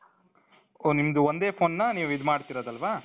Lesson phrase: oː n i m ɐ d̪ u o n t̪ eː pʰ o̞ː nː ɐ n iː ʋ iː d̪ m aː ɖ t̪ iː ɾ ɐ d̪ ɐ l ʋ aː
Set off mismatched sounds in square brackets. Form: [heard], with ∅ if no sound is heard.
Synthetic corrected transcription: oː n i m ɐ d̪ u o n [d̪] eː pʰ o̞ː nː ɐ n iː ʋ [i] d̪ m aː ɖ t̪ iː ɾ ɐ d̪ ɐ l ʋ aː